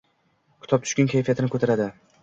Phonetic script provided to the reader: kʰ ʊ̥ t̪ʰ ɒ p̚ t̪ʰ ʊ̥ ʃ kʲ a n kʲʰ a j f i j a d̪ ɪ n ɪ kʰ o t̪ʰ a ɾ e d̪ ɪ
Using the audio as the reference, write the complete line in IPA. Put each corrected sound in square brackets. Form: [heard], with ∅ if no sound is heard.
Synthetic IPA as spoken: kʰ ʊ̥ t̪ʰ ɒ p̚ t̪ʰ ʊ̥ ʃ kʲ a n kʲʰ a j f i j a [t̪] ɪ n ɪ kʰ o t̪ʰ a ɾ [a] d̪ ɪ